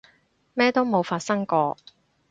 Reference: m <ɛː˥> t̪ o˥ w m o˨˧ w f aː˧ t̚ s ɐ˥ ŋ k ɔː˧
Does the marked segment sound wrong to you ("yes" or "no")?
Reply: no